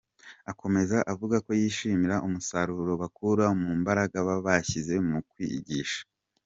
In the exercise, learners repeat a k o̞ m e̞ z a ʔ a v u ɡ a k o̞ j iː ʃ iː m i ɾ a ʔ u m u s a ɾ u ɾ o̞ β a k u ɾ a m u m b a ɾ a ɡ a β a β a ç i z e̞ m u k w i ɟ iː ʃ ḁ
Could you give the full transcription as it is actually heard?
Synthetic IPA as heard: a k o̞ m e̞ z a ʔ a v u ɡ a k o̞ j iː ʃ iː m i ɾ a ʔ u m u s a ɾ u ɾ o̞ β a k u ɾ a m u m b a ɾ a ɡ a β a β a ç i z e̞ m u k w i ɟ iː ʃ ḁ